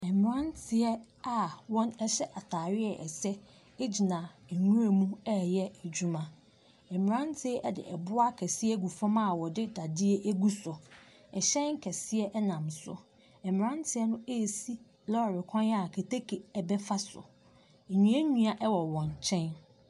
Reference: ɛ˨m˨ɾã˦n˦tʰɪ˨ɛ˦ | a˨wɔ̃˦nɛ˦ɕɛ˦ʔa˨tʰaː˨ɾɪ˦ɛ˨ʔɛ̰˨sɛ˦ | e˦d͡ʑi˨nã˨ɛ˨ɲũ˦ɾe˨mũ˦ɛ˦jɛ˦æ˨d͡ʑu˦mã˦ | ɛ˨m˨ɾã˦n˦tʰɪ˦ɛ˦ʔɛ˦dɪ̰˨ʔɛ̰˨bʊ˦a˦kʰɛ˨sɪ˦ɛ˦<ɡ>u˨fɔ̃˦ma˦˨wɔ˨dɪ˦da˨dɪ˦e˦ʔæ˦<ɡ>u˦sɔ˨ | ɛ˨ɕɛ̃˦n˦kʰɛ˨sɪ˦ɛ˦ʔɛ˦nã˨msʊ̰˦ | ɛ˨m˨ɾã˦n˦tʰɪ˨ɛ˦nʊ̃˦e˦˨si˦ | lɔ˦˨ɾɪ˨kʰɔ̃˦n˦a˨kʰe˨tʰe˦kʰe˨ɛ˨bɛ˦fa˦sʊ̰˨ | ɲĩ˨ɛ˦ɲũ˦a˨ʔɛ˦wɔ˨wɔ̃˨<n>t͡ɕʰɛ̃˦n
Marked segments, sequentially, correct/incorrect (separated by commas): correct, correct, correct